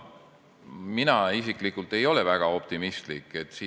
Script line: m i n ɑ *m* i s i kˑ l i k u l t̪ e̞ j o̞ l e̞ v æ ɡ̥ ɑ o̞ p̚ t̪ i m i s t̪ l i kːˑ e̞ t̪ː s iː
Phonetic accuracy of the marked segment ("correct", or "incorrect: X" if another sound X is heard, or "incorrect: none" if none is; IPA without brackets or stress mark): incorrect: none